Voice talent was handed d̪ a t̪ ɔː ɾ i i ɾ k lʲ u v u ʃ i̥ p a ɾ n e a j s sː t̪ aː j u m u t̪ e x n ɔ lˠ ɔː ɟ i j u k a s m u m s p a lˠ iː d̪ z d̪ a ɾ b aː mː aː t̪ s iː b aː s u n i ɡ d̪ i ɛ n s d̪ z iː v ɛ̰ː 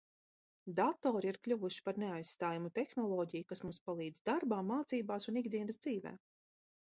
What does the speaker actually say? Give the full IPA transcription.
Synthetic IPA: d̪ a t̪ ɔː ɾ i i ɾ k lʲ u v u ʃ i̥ p a ɾ n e a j s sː t̪ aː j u m u t̪ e x n ɔ lˠ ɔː ɟ i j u k a s m u m s p a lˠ iː d̪ z d̪ a ɾ b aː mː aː t̪ s iː b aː s u n i ɡ d̪ i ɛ n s d̪ z iː v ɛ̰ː